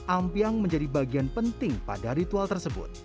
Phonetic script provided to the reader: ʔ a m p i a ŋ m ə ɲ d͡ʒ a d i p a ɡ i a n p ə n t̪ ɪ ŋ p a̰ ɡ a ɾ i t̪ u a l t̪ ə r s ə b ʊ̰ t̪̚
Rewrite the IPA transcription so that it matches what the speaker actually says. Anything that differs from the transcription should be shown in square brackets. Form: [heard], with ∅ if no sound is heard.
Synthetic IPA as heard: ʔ a m p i a ŋ m ə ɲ d͡ʒ a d i [b] a ɡ i a n p ə n t̪ ɪ ŋ p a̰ [d] a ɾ i t̪ u a l t̪ ə r s ə b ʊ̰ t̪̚